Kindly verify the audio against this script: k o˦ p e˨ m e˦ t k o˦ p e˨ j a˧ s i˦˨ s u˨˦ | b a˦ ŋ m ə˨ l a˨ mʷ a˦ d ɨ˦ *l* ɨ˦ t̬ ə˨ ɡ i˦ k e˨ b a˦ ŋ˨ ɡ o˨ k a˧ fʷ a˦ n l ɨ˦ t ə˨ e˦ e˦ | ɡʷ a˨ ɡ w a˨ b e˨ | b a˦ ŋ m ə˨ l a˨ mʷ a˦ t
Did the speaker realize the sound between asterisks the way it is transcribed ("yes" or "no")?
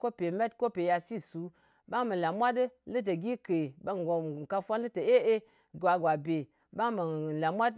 yes